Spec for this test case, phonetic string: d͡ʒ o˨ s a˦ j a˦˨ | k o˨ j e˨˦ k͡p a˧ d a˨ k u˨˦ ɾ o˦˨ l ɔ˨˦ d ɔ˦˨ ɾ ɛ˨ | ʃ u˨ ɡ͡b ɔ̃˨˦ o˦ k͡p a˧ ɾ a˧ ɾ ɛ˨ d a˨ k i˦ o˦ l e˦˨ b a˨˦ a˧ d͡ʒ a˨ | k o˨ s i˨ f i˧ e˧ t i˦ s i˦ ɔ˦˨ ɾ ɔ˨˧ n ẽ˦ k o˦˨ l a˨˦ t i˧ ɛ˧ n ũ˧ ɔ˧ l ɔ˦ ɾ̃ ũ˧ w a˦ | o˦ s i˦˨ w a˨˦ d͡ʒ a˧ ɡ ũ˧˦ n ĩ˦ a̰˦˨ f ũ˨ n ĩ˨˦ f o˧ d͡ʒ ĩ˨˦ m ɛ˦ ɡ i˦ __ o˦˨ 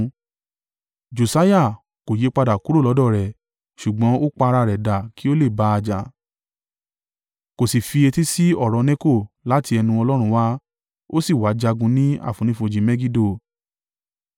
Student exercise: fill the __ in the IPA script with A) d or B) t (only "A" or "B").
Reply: A